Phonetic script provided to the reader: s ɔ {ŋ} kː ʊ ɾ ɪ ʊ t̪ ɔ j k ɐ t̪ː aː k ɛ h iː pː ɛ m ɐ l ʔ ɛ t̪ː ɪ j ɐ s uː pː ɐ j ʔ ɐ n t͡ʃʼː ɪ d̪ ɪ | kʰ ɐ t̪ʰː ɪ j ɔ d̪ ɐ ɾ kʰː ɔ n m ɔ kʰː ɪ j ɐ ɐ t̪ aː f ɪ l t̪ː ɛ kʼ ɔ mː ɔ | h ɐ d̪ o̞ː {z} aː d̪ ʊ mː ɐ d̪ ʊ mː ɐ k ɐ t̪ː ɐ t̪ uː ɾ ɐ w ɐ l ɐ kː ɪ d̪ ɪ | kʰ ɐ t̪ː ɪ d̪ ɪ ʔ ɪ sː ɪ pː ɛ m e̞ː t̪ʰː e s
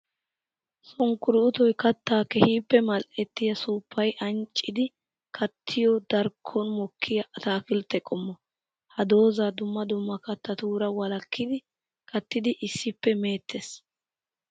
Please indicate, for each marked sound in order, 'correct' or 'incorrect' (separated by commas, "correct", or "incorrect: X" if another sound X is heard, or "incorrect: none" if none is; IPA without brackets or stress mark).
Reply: correct, correct